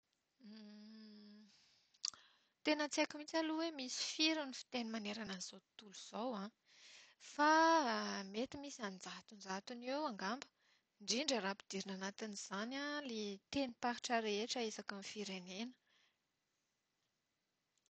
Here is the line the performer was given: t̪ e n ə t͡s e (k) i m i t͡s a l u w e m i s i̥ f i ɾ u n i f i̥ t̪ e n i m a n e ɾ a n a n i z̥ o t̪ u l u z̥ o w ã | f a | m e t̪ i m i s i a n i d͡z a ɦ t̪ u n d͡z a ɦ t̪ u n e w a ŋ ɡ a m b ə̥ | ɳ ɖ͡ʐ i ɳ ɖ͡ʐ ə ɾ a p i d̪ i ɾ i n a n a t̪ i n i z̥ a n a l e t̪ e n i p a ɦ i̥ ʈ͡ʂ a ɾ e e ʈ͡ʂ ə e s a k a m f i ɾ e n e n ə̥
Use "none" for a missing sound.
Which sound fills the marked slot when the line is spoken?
k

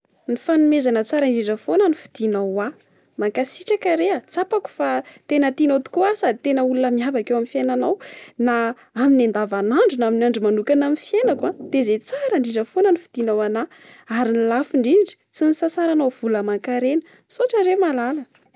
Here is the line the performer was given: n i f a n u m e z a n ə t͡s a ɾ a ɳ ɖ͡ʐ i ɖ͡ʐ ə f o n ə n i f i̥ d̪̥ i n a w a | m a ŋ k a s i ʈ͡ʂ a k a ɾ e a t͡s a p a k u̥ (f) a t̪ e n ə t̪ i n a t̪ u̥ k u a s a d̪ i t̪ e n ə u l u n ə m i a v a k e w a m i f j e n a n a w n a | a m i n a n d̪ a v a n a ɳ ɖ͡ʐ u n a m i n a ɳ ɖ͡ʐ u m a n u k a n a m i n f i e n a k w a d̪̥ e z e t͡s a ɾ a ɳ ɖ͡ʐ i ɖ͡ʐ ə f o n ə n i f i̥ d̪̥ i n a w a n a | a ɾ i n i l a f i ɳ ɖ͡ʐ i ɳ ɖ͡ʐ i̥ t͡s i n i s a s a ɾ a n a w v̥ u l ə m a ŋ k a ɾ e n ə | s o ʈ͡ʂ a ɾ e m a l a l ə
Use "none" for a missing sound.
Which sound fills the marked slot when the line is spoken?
f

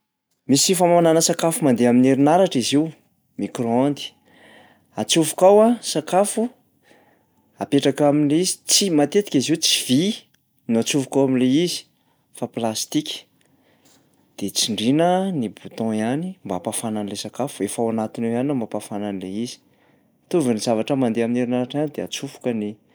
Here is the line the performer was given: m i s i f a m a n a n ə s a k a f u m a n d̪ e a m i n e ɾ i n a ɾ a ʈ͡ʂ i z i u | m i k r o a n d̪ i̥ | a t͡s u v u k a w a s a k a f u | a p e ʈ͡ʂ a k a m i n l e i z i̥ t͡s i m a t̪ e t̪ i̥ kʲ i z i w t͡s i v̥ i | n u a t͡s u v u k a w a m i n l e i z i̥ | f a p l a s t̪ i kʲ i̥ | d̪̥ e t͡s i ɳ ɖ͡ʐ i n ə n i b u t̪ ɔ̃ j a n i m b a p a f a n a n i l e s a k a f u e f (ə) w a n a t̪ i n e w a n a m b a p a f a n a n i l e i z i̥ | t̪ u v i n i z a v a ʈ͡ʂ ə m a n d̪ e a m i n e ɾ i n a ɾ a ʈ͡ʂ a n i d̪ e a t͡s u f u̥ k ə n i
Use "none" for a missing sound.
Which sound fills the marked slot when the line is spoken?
a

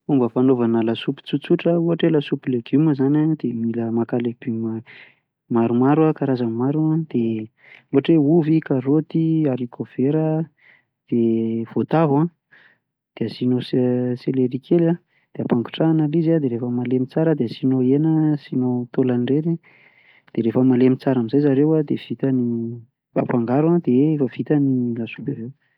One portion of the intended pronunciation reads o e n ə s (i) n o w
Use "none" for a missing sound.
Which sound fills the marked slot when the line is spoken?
i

